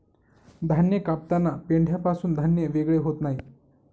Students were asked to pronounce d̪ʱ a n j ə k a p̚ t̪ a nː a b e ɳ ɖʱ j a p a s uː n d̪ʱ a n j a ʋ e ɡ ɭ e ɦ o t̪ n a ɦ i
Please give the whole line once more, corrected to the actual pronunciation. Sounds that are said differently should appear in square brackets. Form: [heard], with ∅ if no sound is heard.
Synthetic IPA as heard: d̪ʱ a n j ə k a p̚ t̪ a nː a [p] e ɳ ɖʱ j a p a s uː n d̪ʱ a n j [ə] ʋ e ɡ ɭ e ɦ o t̪ n a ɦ i